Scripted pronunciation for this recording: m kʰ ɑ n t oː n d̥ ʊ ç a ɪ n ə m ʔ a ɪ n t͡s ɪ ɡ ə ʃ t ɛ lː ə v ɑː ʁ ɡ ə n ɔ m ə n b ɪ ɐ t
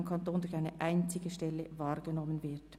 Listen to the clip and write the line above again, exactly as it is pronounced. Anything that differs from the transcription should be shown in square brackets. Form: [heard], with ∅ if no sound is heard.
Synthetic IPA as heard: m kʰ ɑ n t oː n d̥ ʊ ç a ɪ n ə [∅] ʔ a ɪ n t͡s ɪ ɡ ə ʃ t ɛ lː ə v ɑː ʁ ɡ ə n ɔ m ə n [v] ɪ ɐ t

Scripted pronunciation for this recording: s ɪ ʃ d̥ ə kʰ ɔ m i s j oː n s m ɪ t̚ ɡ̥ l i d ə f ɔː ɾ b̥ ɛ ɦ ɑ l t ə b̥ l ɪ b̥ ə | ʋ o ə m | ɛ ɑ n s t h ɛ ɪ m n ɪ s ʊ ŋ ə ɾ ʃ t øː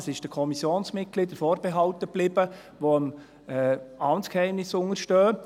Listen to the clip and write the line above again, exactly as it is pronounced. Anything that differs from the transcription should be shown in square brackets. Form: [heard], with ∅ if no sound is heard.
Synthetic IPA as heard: s ɪ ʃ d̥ ə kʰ ɔ m i s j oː n s m ɪ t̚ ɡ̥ l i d ə f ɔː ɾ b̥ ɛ ɦ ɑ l t ə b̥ l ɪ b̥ ə | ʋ o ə m | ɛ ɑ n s [k] h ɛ ɪ m n ɪ s ʊ ŋ ə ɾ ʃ t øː

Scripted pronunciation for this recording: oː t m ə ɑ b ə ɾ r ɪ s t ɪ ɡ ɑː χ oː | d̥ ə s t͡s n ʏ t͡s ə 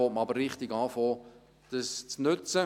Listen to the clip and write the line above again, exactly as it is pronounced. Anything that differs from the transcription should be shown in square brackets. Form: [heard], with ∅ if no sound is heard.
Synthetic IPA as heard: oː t m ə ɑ b ə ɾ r ɪ [χ] t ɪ ɡ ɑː [f] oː | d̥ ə s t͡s n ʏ t͡s ə

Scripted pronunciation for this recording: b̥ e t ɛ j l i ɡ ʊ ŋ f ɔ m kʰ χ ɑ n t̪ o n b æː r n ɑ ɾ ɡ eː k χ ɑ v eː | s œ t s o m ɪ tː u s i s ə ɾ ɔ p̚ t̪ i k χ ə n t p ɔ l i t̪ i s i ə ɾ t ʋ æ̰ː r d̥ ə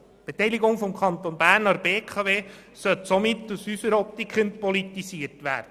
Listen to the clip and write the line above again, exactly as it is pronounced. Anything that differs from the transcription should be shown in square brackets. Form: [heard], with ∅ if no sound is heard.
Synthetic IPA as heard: b̥ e t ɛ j l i ɡ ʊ ŋ f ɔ m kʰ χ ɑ n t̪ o n b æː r n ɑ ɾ [b] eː k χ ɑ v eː | s œ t s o m ɪ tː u s [y] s ə ɾ ɔ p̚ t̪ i k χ ə n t p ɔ l i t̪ i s i ə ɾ t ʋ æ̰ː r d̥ ə

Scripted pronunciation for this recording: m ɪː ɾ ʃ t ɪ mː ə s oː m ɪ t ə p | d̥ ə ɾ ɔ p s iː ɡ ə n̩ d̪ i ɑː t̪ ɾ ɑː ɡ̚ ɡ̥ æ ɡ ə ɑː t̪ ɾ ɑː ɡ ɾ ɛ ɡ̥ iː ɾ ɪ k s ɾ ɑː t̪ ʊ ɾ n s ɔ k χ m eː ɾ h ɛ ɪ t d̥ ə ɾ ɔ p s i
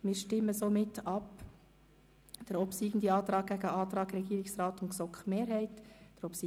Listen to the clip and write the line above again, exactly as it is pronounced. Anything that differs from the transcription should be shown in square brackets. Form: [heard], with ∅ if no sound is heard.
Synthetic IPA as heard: m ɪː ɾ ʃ t ɪ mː ə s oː m ɪ t [ɑ] p | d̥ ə ɾ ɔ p s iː ɡ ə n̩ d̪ i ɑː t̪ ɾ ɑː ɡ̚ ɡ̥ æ ɡ ə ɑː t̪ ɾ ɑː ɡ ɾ ɛ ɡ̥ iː ɾ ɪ k s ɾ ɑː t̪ ʊ [∅] n s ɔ k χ m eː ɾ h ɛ ɪ t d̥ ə ɾ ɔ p s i

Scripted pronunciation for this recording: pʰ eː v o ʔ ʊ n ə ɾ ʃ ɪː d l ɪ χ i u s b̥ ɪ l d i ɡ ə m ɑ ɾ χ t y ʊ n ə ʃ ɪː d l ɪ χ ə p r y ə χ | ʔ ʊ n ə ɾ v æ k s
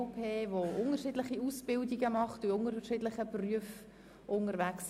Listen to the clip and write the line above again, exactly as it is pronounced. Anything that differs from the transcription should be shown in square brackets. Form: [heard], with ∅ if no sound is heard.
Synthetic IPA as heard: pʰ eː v o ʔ ʊ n ə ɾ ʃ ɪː d l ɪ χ i u s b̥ ɪ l d i ɡ ə m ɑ [∅] χ t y ʊ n ə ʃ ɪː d l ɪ χ ə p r y ə [f] | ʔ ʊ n ə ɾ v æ k s

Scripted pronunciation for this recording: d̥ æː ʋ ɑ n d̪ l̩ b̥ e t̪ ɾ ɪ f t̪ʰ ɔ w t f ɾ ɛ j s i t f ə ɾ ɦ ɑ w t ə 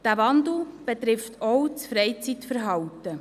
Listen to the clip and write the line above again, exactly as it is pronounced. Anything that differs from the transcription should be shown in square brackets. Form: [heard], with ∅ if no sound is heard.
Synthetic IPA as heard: d̥ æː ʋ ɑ n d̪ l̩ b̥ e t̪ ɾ ɪ f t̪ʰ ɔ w [t͡s] f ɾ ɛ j [t͡s] i t f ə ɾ ɦ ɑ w t ə

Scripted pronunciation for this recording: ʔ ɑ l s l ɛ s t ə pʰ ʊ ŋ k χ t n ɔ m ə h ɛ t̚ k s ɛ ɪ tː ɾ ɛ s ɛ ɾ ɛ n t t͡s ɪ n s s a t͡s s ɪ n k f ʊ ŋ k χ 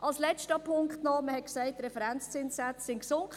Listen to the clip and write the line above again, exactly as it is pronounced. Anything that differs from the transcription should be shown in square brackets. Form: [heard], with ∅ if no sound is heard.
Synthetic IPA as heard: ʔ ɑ l s l ɛ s t ə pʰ ʊ ŋ k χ t n ɔ m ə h ɛ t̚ k s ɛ ɪ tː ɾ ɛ [f] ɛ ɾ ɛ n [t͡s] t͡s ɪ n s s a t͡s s ɪ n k [s] ʊ ŋ k χ

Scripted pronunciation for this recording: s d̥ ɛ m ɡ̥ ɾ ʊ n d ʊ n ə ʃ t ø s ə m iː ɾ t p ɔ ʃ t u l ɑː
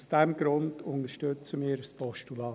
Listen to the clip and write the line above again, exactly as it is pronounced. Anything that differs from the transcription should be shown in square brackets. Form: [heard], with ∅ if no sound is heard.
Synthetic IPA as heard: s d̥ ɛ m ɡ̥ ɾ ʊ n d ʊ n ə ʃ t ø [t͡s] ə m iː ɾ [s] p ɔ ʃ t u l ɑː

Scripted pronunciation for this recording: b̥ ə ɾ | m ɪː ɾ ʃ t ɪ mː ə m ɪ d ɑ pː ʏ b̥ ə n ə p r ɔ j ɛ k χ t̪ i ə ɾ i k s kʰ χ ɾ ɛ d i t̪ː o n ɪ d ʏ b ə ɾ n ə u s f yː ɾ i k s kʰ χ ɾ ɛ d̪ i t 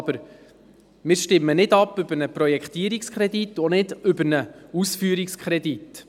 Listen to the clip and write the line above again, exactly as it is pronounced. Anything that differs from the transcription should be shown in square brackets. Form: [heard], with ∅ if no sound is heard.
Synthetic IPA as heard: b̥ ə ɾ | m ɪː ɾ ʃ t ɪ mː ə [n] ɪ d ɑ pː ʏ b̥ ə n ə p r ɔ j ɛ k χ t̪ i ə ɾ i k s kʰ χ ɾ ɛ d i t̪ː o n ɪ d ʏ b ə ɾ n ə u s f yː ɾ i k s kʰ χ ɾ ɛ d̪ i t

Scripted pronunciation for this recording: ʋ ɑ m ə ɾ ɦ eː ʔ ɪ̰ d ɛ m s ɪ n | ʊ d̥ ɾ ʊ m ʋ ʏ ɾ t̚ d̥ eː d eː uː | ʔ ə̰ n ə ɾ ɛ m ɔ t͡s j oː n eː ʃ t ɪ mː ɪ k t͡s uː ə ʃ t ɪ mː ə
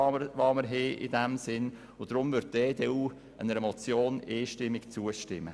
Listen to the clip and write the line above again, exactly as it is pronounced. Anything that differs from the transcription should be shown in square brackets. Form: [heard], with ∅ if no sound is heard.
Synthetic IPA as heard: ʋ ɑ m ə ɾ ɦ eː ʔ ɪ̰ d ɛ m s ɪ n | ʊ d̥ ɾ ʊ m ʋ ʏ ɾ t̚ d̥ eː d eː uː | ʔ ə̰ n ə ɾ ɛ m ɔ t͡s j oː n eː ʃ t ɪ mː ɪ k t͡s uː ə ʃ t ɪ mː ə

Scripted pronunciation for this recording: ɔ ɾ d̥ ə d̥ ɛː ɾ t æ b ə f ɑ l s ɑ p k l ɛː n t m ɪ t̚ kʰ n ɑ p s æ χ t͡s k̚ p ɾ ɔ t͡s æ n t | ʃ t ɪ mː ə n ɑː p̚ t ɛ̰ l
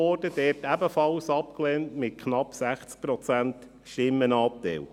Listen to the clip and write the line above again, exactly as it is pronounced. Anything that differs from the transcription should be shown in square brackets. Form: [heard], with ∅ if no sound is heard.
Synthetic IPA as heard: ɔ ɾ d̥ ə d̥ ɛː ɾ t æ b ə f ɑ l s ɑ p k l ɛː n t m ɪ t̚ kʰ n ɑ p s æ χ t͡s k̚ p ɾ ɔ t͡s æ n t | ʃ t ɪ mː ə n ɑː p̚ t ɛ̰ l

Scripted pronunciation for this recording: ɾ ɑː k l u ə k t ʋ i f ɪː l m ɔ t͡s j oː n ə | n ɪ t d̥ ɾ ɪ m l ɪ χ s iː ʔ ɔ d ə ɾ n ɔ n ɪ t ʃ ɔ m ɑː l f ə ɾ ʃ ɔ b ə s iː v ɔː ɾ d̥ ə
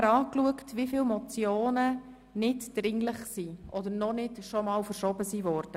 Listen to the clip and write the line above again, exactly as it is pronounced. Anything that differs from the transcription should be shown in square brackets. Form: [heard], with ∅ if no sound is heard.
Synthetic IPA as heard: ɾ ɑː k l u ə k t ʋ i f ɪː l m ɔ t͡s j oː n ə | n ɪ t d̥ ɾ ɪ [ŋ] l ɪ χ s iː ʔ ɔ d ə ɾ n ɔ n ɪ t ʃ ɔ m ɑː l f ə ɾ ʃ ɔ b ə s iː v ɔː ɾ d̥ ə

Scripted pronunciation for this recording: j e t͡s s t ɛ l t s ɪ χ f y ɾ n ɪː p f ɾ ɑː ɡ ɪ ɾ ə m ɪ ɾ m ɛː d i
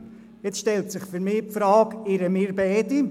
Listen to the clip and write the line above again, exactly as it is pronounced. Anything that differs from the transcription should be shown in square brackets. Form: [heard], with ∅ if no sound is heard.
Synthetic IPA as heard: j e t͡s [ʃ] t ɛ l t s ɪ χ f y ɾ [m] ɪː p f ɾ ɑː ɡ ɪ ɾ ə m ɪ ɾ [b] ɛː d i

